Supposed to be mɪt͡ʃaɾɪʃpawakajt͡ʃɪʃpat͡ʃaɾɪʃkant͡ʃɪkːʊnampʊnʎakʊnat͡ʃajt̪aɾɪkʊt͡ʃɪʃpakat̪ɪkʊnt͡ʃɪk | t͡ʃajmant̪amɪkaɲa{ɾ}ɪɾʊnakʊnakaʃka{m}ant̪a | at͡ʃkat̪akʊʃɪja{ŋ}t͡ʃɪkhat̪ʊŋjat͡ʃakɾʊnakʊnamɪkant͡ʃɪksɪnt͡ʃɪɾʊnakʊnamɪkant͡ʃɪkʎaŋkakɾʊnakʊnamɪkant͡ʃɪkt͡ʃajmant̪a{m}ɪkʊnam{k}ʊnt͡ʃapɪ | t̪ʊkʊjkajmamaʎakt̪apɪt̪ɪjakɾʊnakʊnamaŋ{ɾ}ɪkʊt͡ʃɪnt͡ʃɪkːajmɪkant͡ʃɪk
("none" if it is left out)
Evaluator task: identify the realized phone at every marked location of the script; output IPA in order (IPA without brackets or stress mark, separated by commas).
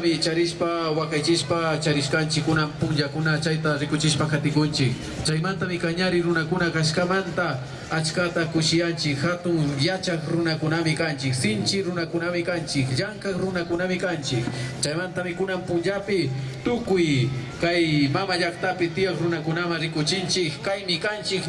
ɾ, m, n, m, p, ɾ